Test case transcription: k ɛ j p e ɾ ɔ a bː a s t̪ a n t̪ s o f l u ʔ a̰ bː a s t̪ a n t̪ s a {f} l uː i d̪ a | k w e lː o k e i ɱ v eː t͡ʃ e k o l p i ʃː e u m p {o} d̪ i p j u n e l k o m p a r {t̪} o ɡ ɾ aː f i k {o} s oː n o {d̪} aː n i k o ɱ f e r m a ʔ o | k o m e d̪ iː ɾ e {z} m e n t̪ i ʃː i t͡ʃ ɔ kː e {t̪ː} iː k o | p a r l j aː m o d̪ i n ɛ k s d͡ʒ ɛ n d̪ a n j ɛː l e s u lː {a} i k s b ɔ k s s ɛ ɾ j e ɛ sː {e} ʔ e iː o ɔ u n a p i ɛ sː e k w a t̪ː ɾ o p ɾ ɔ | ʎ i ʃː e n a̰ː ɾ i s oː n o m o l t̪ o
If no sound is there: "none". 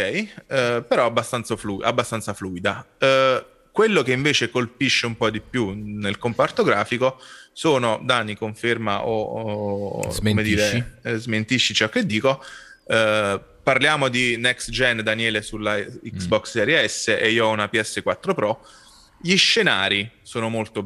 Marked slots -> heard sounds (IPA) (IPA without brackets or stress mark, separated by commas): f, ɔ, t̪, o, d̪, z, d̪ː, a, e